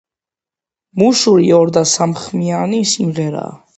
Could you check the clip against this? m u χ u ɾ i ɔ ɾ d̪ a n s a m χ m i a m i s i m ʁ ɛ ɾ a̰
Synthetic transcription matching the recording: m u ʃ u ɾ i ɔ ɾ d̪ a s a m χ m i a n i s i m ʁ ɛ ɾ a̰